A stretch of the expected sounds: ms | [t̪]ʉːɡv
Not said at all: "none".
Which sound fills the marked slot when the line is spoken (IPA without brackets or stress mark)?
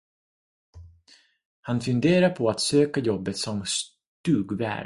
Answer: t̪